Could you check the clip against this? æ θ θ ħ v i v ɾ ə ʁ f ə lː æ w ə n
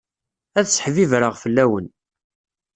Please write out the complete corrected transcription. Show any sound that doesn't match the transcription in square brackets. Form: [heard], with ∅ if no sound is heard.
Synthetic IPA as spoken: æ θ [s] ħ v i v ɾ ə ʁ f ə lː æ w ə n